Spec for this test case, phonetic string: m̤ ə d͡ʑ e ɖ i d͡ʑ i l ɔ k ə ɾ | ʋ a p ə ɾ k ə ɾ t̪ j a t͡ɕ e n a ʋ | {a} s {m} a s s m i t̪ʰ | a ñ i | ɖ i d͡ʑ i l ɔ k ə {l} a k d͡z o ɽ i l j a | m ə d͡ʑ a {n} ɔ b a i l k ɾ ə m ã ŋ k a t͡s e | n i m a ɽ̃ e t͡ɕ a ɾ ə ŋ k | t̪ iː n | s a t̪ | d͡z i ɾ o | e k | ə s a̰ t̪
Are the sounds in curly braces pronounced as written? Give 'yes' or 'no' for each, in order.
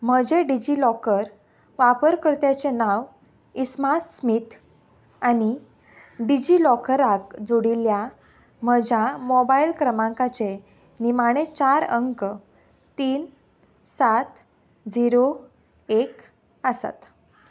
no, yes, no, no

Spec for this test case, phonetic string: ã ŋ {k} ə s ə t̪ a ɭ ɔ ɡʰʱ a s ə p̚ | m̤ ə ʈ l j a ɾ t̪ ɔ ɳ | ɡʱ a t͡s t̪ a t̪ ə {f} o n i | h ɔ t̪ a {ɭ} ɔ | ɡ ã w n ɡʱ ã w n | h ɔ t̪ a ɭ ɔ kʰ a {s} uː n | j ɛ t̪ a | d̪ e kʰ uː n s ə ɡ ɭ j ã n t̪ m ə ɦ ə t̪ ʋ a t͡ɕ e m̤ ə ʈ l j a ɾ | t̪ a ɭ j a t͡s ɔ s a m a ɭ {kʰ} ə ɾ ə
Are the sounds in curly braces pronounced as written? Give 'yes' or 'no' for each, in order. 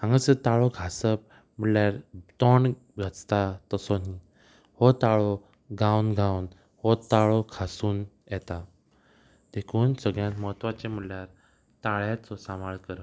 no, no, yes, yes, no

